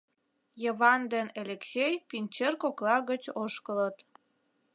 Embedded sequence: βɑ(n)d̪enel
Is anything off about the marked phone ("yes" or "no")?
no